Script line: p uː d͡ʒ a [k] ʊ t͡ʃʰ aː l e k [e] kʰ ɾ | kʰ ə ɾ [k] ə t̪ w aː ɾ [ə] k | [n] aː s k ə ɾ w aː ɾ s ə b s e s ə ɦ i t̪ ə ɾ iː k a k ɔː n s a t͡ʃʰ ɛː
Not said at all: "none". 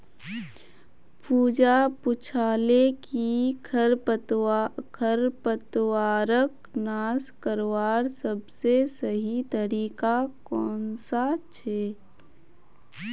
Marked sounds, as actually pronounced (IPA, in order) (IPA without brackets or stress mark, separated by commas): p, i, p, ə, n